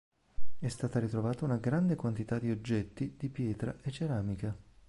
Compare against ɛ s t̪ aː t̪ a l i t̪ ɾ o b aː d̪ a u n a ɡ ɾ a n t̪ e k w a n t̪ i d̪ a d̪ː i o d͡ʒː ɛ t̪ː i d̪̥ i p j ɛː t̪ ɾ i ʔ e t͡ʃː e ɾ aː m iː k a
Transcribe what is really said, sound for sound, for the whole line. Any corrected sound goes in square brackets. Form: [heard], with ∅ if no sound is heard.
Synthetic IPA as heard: ɛ s t̪ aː t̪ a [ɾ] i t̪ ɾ o [v] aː [t̪] a u n a ɡ ɾ a n [d̪] e k w a n t̪ i [t̪] a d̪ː i o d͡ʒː ɛ t̪ː i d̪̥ i p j ɛː t̪ ɾ [a] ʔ e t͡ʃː e ɾ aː m [i] k a